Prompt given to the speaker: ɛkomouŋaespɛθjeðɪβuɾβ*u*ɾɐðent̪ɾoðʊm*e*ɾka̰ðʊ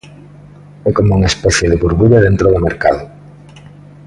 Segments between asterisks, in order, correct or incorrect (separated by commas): correct, correct